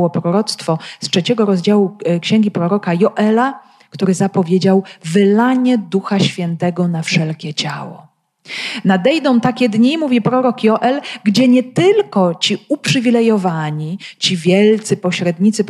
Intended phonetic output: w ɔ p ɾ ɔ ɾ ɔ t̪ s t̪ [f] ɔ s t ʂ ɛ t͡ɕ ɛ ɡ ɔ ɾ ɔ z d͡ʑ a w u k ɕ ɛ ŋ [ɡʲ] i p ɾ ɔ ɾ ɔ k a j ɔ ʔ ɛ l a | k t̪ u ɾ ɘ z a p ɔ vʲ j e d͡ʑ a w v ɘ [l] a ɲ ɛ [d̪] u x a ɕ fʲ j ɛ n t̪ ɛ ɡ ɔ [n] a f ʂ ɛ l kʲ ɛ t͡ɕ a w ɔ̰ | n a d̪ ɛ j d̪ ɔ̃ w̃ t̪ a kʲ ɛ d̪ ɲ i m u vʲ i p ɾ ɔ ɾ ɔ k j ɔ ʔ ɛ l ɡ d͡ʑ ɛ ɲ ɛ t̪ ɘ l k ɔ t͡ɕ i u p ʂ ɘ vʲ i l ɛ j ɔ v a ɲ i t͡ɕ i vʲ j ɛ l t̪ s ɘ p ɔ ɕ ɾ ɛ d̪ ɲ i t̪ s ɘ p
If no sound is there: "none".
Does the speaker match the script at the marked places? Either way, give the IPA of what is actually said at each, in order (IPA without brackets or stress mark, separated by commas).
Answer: f, ɡʲ, l, d̪, n